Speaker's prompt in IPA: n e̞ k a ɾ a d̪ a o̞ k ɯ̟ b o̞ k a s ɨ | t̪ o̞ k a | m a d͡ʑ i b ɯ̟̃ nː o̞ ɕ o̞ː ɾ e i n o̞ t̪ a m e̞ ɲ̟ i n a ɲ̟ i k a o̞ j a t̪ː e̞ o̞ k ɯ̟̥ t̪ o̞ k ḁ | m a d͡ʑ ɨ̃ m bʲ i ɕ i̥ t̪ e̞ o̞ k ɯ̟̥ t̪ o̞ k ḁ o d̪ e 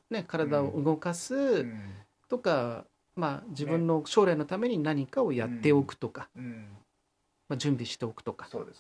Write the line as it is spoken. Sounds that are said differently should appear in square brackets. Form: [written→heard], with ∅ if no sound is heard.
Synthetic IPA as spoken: n e̞ k a ɾ a d̪ a o̞ [k→ʔ] ɯ̟ [b→ɡ] o̞ k a s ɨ | t̪ o̞ k a | m a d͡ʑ i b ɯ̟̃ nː o̞ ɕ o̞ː ɾ [e→a] i n o̞ t̪ a m e̞ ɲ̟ i n a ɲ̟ i k a o̞ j a t̪ː e̞ o̞ k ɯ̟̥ t̪ o̞ k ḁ | m a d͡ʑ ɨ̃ m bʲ i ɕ i̥ t̪ e̞ o̞ k ɯ̟̥ t̪ o̞ k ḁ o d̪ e